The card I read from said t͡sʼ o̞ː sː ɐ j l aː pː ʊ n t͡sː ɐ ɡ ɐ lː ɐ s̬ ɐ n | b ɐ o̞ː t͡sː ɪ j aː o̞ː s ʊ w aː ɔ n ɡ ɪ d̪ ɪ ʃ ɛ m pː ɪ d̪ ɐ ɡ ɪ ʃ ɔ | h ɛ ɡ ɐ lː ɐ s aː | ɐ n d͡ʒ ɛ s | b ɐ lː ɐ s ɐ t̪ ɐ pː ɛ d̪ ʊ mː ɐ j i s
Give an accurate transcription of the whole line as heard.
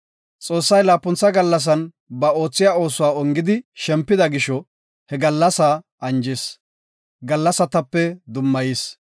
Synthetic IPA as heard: t͡sʼ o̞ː sː ɐ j l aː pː ʊ n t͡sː ɐ ɡ ɐ lː ɐ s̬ ɐ n | b ɐ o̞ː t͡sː ɪ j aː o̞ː s ʊ w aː ɔ ŋ ɡ ɪ d̪ ɪ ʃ ɛ m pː ɪ d̪ ɐ ɡ ɪ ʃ ɔ | h ɛ ɡ ɐ lː ɐ s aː | ɐ n d͡ʒ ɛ s | ɡ ɐ lː ɐ s ɐ t̪ ɐ pː ɛ d̪ ʊ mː ɐ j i s